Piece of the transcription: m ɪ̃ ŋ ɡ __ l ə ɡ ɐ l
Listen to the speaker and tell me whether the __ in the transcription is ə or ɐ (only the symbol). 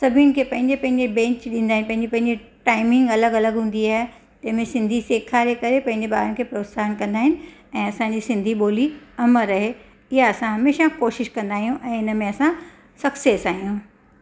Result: ɐ